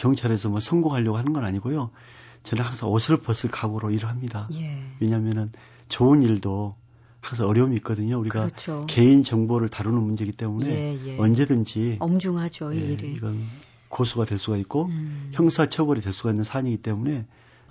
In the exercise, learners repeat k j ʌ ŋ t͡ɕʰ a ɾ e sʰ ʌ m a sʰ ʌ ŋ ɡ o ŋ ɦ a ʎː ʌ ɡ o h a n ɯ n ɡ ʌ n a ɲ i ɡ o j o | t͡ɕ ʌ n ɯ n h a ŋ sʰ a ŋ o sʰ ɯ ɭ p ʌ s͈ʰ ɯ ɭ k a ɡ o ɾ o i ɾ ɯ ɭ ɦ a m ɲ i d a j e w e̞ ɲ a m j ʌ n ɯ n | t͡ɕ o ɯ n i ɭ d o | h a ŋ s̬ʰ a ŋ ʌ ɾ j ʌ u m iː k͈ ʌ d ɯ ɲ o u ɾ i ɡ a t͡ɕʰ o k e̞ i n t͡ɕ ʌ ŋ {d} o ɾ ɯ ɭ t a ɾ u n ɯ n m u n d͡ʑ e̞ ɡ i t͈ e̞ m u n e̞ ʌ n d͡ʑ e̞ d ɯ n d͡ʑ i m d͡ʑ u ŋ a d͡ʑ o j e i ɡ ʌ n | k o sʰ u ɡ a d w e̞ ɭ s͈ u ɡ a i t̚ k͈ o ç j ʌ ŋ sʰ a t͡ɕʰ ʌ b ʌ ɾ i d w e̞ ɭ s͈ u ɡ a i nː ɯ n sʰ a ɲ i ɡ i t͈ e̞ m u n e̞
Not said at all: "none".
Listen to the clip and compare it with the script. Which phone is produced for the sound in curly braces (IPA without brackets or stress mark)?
b